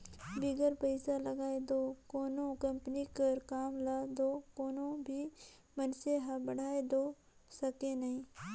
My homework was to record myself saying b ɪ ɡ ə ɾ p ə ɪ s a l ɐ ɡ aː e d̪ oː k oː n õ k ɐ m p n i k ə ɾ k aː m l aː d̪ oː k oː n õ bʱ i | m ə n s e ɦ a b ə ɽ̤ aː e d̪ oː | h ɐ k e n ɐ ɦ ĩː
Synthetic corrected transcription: b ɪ ɡ ə ɾ p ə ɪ s a l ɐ ɡ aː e d̪ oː k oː n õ k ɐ m p n i k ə ɾ k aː m l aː d̪ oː k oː n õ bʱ i | m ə n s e ɦ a b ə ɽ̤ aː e d̪ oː | s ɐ k e n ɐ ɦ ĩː